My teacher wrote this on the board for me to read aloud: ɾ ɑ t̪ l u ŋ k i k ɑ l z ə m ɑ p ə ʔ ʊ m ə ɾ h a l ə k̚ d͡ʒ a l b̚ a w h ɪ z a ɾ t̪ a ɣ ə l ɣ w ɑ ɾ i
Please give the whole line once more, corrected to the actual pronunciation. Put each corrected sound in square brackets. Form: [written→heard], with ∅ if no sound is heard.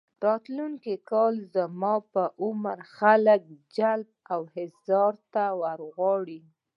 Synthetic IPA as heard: ɾ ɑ t̪ l u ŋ k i k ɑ l z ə m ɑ p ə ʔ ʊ m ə ɾ [h→x] a l ə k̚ d͡ʒ a l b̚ a w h ɪ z [a→ɑ] ɾ t̪ a [ɣ→w] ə [l→ɾ] ɣ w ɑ [ɾ→ɽ] i